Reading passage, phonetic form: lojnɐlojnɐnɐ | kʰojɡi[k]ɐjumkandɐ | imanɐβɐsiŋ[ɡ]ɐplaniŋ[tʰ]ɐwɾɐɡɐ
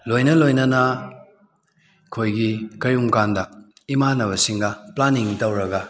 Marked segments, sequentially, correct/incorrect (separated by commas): correct, correct, incorrect